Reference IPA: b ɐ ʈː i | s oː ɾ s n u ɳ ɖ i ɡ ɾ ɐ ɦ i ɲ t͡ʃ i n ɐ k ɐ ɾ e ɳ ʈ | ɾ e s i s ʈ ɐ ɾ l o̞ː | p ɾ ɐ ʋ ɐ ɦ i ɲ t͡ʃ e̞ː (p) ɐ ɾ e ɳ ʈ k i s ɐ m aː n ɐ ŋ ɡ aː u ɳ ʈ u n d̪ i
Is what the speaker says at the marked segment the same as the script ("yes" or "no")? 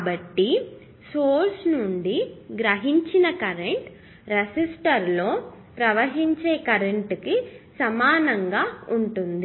no